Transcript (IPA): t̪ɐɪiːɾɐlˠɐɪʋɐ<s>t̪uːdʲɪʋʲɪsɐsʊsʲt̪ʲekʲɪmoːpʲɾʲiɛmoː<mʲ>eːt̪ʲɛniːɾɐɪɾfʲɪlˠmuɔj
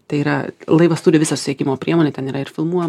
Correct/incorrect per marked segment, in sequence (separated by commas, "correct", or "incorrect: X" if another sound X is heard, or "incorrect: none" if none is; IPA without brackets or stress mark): correct, incorrect: nʲ